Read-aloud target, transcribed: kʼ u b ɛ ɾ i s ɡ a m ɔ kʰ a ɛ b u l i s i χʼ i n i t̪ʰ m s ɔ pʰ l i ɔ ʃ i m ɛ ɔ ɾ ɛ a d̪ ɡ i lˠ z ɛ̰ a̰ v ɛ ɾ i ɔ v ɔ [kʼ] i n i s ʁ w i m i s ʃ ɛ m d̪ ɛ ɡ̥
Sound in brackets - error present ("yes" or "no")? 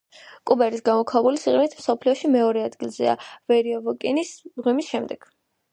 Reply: no